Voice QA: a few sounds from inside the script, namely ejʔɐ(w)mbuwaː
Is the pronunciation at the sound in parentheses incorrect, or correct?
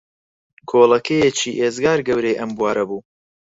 incorrect